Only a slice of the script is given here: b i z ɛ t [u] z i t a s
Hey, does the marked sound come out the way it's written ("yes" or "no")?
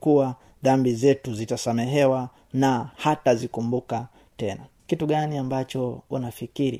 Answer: yes